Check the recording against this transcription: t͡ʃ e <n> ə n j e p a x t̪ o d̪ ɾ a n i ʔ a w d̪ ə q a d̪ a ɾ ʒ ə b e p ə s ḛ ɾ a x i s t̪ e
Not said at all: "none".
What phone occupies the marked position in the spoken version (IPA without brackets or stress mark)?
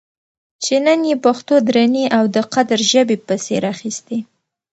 n